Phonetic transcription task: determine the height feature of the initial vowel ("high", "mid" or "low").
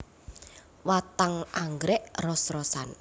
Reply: low